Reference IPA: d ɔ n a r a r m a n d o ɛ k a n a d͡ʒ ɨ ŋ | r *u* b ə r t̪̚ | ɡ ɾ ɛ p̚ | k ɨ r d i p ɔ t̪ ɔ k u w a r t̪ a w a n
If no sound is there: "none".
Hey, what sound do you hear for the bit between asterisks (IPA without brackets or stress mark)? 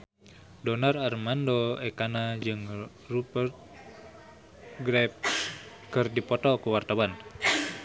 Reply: u